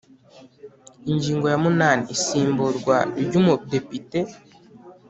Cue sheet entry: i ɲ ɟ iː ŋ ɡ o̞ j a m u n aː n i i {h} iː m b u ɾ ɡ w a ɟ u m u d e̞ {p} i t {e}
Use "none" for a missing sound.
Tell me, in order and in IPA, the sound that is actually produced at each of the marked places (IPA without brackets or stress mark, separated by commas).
s, p, e